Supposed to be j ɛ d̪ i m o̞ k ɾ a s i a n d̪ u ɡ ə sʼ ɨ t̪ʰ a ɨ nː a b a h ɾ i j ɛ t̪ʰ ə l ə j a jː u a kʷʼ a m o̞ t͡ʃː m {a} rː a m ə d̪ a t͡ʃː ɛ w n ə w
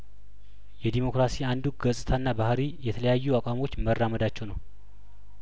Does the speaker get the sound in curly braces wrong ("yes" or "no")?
yes